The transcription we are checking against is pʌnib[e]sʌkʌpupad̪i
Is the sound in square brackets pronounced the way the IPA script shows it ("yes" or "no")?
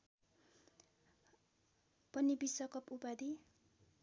no